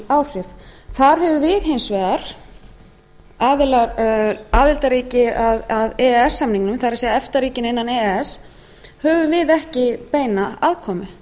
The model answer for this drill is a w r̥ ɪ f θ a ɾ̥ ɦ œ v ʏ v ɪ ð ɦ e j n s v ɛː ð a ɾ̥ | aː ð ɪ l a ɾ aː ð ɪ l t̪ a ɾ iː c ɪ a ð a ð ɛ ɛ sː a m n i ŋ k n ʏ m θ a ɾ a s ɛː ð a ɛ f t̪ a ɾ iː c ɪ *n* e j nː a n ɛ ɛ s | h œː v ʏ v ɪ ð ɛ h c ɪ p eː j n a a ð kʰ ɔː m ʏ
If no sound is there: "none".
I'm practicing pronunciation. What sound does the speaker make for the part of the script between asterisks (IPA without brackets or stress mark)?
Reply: n